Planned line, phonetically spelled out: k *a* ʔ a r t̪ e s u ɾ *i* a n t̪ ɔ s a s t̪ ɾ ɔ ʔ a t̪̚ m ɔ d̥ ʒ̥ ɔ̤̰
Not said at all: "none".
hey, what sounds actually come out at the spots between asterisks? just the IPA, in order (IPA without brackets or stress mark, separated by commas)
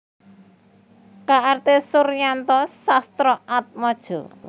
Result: a, j